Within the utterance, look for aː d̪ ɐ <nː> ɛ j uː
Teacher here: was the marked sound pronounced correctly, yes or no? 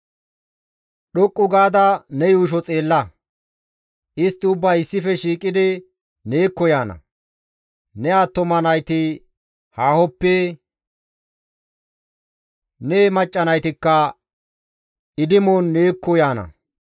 no